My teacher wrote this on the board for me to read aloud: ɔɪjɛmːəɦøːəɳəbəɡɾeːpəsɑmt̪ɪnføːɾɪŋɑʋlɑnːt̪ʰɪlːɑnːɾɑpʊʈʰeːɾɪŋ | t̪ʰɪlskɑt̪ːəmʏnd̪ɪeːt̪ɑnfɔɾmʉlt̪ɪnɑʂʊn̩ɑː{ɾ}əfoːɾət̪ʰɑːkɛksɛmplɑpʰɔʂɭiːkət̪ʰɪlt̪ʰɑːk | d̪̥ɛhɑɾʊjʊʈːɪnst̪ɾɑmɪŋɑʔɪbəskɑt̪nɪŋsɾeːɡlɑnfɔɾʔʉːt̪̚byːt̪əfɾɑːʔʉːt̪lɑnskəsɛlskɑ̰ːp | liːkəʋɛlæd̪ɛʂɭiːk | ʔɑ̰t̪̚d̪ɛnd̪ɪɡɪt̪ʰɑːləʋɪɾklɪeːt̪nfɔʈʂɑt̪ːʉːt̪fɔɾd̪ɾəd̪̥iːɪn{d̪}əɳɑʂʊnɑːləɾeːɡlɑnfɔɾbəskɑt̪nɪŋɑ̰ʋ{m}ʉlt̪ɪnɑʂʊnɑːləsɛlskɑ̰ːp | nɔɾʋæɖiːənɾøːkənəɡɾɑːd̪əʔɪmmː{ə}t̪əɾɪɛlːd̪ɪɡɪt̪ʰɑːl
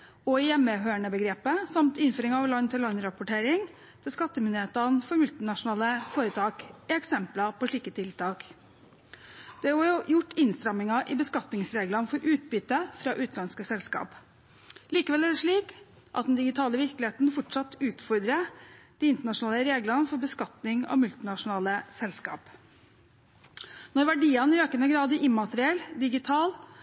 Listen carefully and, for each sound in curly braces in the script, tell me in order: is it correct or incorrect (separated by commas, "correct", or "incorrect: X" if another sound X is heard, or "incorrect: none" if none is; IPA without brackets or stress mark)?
incorrect: l, incorrect: t̪, correct, incorrect: ɑ